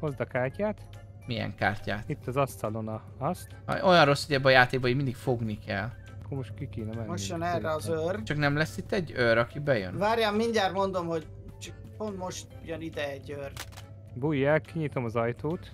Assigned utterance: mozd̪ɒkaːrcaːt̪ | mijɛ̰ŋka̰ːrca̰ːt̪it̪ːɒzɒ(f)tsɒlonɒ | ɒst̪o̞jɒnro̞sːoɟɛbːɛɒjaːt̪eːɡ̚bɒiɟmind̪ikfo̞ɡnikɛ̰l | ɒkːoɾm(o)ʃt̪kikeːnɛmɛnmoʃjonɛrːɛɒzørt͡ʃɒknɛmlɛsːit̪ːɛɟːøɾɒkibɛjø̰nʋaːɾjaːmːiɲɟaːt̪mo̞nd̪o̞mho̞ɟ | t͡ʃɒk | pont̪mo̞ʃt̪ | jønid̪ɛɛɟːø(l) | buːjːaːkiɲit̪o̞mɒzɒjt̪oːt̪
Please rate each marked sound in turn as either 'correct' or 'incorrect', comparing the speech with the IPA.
incorrect: s, correct, incorrect: r

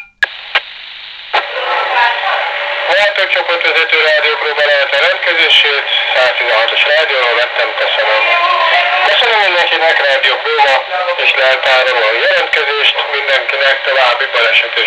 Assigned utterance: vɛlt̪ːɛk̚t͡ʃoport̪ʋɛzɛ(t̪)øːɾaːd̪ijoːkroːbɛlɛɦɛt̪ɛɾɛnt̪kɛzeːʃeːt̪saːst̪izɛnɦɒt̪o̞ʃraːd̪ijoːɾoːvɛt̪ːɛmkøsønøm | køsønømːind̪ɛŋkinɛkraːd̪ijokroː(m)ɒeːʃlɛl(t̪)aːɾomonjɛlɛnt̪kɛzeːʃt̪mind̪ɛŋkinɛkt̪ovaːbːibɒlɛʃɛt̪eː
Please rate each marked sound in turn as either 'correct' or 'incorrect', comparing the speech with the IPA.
correct, correct, correct

